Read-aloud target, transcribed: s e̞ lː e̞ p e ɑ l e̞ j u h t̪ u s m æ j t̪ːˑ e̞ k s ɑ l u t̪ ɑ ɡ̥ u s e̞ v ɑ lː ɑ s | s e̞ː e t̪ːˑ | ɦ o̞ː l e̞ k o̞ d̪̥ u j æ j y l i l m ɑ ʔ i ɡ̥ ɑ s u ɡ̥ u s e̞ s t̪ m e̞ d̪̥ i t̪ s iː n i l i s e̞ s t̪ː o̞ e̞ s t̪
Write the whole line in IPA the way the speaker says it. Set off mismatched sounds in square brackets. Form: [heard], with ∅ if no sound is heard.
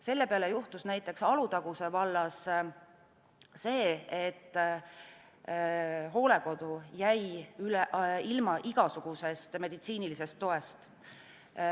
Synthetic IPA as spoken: s e̞ lː e̞ p e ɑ l e̞ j u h t̪ u s [n] æ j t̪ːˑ e̞ k s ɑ l u t̪ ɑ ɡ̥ u s e̞ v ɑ lː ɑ s | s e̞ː e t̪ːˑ | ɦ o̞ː l e̞ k o̞ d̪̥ u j æ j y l i l m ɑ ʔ i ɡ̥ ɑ s u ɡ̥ u s e̞ s t̪ m e̞ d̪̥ i t̪ s iː n i l i s e̞ s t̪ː o̞ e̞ s t̪